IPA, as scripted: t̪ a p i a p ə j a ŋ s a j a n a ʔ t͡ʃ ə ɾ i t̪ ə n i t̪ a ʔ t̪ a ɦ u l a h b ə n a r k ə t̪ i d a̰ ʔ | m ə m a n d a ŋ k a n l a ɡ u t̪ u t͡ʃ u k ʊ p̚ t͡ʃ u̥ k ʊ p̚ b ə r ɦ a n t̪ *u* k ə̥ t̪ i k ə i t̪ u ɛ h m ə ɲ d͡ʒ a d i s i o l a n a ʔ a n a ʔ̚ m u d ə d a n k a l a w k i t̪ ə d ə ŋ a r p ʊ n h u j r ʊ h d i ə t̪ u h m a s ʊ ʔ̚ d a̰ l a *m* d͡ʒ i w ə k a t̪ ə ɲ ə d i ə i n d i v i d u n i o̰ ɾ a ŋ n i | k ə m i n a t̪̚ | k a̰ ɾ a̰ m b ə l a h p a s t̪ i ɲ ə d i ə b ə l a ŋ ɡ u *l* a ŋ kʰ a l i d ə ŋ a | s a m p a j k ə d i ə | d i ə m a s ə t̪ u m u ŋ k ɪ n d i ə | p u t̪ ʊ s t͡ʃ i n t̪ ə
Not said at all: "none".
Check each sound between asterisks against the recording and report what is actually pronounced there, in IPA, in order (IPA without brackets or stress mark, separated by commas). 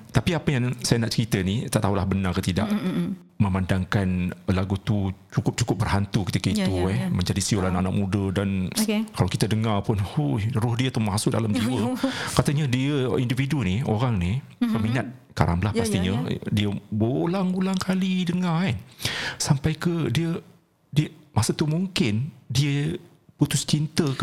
u, m, l